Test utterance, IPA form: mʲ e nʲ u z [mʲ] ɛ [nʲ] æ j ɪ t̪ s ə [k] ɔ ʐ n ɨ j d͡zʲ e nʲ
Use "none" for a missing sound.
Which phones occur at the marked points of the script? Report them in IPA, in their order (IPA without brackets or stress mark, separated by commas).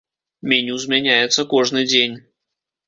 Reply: mʲ, nʲ, k